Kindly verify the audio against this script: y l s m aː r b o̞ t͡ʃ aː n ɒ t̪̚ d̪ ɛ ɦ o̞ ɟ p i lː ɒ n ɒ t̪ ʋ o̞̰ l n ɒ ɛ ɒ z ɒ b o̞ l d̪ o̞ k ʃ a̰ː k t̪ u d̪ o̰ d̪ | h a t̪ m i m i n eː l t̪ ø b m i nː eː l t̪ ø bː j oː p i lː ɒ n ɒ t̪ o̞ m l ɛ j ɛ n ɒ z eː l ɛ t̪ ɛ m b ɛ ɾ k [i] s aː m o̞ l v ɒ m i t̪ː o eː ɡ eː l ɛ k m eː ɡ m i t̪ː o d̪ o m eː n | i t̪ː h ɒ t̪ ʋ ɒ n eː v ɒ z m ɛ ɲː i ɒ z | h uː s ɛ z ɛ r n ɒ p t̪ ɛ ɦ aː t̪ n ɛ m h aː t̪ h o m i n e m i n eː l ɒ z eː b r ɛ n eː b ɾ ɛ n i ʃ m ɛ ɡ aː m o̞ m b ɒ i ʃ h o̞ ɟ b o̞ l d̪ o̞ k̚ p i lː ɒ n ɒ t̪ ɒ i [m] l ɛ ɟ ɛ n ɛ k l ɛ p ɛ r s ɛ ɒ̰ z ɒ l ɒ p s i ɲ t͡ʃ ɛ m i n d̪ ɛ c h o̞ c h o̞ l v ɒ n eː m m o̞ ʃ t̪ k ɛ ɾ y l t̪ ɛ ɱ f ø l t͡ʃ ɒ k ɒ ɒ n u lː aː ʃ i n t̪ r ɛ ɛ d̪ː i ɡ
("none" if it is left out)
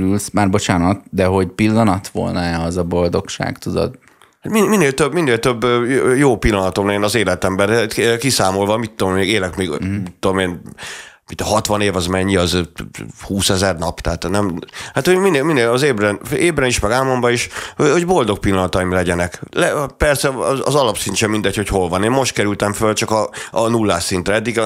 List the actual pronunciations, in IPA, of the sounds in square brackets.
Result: i, m

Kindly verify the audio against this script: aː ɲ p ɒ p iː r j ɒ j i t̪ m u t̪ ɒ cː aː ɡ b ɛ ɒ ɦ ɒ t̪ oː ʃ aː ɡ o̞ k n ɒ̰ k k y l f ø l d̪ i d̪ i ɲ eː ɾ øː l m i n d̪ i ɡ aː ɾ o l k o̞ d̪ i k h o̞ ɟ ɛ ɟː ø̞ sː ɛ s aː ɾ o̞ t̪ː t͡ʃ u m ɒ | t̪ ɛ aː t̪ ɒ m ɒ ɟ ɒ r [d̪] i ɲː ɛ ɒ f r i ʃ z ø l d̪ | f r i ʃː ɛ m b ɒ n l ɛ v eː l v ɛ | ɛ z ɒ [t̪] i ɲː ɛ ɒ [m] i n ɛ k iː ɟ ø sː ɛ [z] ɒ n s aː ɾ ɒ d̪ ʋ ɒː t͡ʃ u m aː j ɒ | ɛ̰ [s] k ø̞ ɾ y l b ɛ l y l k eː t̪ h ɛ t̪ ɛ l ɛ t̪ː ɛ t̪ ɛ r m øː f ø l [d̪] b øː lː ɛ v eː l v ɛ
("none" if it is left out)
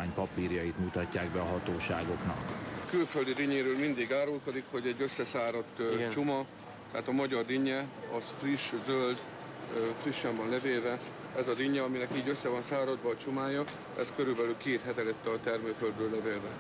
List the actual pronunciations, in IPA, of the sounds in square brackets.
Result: d̪, d̪, m, v, s, d̪

